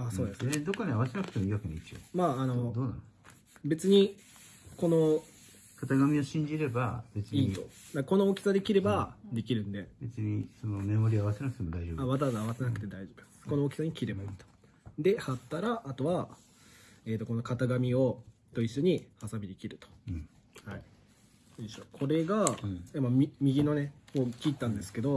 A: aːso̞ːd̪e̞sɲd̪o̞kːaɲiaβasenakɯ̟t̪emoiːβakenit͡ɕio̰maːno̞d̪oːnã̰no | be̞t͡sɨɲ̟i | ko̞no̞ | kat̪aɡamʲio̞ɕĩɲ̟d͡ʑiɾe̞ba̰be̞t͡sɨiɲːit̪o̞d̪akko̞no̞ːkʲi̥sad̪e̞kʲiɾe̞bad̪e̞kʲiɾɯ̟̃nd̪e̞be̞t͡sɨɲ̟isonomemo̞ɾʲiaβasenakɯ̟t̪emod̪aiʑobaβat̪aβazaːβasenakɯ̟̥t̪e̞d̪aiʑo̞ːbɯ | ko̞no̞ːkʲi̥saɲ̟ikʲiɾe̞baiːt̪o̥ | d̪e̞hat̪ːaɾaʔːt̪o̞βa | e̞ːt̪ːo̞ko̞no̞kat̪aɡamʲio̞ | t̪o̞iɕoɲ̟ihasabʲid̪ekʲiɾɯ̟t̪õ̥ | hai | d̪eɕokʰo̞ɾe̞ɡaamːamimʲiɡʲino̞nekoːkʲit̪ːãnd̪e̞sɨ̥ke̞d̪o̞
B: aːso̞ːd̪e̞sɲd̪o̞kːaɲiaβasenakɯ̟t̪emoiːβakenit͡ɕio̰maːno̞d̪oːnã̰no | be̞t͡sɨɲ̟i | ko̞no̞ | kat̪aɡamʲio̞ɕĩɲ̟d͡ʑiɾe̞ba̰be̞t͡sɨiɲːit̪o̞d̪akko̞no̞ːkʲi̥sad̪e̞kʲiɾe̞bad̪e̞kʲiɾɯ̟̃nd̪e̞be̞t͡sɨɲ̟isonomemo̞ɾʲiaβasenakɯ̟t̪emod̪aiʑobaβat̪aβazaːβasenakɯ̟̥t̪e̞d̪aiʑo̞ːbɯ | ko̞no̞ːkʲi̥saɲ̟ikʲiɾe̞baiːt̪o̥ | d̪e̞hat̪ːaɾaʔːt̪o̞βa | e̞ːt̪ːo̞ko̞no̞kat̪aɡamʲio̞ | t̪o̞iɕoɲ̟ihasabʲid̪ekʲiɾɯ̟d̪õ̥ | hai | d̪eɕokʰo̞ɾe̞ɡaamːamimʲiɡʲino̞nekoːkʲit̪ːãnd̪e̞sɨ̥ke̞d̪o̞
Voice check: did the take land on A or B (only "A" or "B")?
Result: A